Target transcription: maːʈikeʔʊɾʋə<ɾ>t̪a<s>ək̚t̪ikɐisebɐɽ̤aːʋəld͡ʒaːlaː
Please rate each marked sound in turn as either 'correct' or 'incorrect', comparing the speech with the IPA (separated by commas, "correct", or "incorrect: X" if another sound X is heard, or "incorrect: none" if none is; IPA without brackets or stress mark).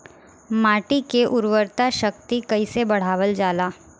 correct, incorrect: ʃ